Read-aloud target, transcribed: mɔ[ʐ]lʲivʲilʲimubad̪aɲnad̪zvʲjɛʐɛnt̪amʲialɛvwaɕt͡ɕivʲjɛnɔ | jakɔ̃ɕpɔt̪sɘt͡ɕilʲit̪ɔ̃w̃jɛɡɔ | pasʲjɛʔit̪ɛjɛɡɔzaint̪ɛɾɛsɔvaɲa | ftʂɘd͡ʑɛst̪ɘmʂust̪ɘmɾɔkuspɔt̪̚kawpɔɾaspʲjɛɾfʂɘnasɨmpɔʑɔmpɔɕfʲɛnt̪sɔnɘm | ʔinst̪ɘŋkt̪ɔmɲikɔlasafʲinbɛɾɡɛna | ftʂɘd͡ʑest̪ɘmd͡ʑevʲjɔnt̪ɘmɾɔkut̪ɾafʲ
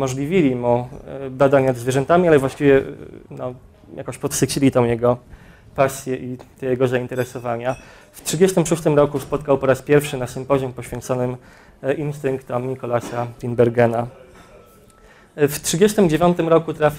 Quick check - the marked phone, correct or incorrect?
correct